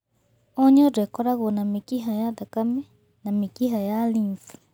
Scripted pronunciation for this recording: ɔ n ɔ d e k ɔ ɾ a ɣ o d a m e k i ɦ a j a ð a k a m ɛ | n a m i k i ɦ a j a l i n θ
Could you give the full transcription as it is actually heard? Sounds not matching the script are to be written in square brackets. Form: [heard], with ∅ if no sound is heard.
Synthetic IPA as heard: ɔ [ɲ] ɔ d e k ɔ ɾ a ɣ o [n] a m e k i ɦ a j a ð a k a m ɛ | n a m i k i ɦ a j a l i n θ